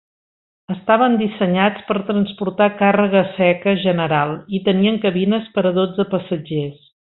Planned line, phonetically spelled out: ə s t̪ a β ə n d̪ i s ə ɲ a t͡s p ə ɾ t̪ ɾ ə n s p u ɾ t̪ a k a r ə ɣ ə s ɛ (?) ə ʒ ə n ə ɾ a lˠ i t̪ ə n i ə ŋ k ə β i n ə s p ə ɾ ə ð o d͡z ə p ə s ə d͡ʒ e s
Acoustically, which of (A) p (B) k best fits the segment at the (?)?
B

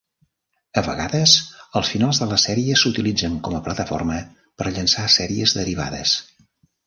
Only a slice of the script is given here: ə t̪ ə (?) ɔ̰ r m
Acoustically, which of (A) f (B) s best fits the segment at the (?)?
A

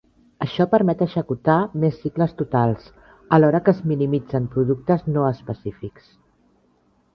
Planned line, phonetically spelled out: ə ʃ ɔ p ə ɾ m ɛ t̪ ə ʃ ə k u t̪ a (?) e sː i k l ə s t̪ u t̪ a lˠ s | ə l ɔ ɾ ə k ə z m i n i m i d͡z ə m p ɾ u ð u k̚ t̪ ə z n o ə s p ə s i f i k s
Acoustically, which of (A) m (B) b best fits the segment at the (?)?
A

